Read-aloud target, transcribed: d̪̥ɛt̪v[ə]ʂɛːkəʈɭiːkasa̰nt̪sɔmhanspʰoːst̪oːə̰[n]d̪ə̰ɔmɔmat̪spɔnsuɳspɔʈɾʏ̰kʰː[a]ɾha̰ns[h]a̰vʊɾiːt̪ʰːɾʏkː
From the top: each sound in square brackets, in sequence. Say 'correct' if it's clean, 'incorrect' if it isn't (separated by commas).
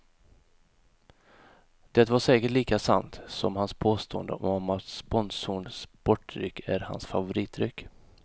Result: incorrect, correct, incorrect, incorrect